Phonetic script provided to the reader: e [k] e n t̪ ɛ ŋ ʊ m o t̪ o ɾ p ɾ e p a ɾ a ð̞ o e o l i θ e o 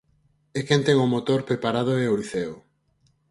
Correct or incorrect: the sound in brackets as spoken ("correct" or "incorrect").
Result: correct